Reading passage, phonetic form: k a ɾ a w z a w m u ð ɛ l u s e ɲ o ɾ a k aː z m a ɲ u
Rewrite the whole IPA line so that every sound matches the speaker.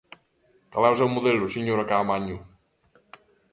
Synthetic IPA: k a l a w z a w m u ð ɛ l u s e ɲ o ɾ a k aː m a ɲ u